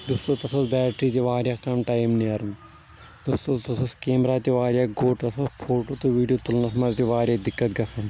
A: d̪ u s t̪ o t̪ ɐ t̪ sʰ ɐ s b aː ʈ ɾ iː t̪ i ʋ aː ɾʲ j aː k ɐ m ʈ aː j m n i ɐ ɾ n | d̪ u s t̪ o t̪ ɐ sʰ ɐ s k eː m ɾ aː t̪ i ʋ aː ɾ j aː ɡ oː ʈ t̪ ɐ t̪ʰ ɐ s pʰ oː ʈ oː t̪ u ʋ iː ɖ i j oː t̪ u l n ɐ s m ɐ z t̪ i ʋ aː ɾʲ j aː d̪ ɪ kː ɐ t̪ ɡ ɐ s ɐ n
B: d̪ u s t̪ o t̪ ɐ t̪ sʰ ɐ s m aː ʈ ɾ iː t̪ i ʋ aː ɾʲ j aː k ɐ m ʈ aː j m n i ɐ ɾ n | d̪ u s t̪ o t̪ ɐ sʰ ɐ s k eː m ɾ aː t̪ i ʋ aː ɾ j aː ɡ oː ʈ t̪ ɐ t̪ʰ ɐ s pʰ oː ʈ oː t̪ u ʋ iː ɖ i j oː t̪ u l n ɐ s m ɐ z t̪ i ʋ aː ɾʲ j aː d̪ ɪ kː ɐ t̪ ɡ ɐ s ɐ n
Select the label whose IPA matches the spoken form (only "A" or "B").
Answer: A